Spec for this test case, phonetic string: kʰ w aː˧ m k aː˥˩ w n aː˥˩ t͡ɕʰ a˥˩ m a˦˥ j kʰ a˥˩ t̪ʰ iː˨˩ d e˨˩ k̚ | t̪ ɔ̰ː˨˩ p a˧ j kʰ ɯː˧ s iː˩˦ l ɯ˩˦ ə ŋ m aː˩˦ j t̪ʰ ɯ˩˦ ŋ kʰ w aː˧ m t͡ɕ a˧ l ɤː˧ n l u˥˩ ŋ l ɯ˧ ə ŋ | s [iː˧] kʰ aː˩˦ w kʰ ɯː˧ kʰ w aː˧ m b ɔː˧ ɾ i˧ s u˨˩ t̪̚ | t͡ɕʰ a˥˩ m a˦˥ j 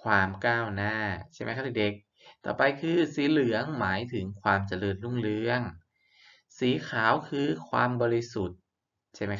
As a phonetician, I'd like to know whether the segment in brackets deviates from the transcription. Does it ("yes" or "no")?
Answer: yes